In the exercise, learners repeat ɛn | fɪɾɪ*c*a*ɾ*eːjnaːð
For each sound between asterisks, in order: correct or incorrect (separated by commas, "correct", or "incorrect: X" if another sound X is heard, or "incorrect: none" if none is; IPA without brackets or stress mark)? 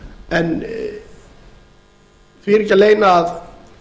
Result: correct, incorrect: l